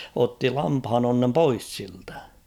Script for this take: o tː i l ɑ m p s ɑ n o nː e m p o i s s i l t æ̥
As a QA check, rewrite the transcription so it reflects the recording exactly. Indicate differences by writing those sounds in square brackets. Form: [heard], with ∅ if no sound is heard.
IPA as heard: o tː i l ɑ m p [h] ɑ n o nː e m p o i s s i l t æ̥